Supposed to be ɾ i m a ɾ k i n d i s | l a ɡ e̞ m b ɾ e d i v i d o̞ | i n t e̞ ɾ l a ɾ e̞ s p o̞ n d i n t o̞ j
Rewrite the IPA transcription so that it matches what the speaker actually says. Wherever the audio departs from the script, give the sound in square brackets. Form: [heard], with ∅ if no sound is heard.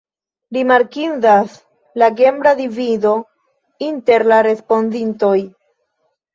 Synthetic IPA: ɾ i m a ɾ k i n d [a] s | l a ɡ e̞ m b ɾ [a] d i v i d o̞ | i n t e̞ ɾ l a ɾ e̞ s p o̞ n d i n t o̞ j